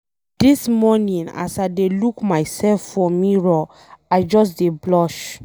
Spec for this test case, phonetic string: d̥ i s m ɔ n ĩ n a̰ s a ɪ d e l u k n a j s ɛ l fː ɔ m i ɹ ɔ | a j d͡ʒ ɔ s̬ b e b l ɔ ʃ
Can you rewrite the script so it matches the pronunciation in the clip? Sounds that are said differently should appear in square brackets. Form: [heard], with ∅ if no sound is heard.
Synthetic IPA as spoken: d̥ i s m ɔ n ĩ n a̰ s a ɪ d e l u k [m] a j s ɛ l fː ɔ m i ɹ ɔ | a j d͡ʒ ɔ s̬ [d] e b l ɔ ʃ